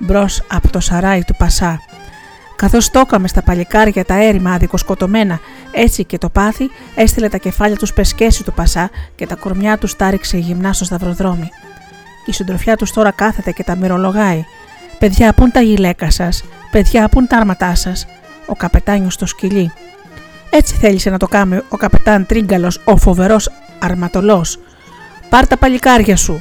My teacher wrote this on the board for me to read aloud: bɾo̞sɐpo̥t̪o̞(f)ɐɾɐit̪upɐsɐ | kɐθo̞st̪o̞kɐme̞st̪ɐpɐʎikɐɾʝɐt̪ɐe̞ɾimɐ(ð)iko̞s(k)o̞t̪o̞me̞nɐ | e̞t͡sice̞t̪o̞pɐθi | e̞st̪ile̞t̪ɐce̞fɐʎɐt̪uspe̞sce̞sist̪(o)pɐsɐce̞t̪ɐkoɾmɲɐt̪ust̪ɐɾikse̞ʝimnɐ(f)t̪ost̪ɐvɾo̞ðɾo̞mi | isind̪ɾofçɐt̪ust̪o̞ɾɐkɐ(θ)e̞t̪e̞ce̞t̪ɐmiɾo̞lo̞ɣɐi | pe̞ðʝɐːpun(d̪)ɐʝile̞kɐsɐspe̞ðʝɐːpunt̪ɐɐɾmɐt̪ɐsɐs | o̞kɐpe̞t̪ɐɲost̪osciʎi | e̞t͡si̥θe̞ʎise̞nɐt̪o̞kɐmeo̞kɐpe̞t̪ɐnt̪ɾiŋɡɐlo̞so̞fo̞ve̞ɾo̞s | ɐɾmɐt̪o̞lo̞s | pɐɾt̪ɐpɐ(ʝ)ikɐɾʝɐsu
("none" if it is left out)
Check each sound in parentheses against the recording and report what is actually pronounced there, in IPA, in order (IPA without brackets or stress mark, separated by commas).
s, ð, k, u, s, θ, t̪, ʎ